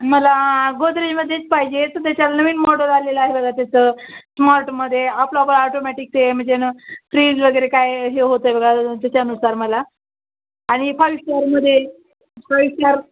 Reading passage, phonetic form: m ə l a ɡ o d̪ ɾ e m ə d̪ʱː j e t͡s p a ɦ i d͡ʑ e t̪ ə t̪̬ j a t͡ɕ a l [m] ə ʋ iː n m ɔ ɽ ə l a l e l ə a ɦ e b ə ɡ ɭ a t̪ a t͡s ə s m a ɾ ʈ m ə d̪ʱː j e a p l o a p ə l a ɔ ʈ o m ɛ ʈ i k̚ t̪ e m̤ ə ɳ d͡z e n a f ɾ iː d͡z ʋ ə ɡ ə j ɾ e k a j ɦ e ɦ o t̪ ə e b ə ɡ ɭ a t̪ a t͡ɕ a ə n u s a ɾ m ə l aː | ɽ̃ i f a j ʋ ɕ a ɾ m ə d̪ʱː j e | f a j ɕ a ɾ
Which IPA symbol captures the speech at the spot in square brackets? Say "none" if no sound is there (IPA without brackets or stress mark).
n